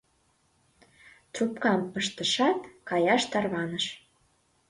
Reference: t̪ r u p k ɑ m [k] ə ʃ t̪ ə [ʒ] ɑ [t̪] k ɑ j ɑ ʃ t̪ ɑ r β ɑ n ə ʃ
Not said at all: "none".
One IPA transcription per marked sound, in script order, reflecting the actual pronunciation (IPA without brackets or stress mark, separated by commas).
p, ʃ, t̪